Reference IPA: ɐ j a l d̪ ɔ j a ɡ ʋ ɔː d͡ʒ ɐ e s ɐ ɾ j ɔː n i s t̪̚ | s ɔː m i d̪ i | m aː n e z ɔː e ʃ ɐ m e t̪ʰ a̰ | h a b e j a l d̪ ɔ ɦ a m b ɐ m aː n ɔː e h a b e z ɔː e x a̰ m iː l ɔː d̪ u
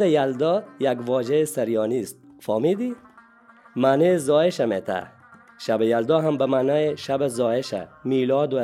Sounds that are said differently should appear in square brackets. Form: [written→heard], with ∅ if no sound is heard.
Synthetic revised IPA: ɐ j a l d̪ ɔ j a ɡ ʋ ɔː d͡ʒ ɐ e s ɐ ɾ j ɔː n i s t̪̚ | [s→f] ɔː m i d̪ i | m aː n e z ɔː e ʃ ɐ m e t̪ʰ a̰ | [h→ʃ] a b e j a l d̪ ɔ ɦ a m b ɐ m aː n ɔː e [h→ʃ] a b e z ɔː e [x→ʃ] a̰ m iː l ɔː d̪ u